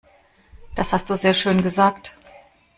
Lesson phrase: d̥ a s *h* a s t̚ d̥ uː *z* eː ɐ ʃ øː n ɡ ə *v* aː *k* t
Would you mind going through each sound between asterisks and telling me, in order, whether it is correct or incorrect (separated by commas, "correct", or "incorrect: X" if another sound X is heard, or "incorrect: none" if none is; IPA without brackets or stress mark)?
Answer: correct, correct, incorrect: z, correct